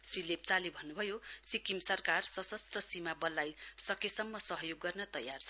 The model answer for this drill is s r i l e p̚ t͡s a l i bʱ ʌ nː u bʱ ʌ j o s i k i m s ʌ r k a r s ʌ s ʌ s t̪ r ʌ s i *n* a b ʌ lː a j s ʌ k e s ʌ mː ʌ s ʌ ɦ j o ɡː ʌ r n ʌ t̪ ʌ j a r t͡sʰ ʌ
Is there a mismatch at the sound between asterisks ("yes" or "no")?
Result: yes